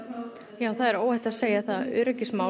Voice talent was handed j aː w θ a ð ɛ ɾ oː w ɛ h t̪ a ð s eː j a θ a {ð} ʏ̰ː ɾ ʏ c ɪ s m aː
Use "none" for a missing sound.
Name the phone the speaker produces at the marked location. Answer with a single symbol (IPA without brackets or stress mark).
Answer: ð